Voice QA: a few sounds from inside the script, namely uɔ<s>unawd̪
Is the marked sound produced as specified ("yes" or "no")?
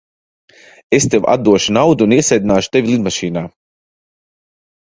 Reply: no